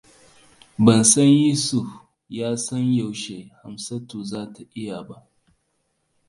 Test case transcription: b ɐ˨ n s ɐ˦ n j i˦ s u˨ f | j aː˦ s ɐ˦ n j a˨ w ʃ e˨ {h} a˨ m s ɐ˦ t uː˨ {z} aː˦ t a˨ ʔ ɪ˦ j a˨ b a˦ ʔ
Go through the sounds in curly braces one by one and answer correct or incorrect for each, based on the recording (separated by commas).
correct, correct